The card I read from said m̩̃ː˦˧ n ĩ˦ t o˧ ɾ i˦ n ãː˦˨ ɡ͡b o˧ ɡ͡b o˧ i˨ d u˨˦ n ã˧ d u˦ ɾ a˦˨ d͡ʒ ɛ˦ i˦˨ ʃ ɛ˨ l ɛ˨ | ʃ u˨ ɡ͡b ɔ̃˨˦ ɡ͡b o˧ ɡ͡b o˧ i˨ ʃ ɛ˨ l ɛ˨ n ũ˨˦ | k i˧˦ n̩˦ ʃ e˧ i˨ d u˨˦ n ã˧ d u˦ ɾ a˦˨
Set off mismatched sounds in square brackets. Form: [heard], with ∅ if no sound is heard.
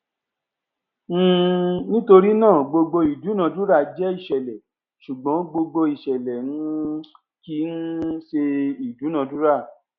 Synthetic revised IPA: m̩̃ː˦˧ n ĩ˦ t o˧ ɾ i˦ n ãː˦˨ ɡ͡b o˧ ɡ͡b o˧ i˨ d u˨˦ n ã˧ d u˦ ɾ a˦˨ d͡ʒ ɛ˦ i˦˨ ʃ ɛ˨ l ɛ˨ | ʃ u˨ ɡ͡b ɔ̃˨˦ ɡ͡b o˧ ɡ͡b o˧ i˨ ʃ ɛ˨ l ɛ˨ n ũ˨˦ | k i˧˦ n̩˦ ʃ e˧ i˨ d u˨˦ n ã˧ d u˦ ɾ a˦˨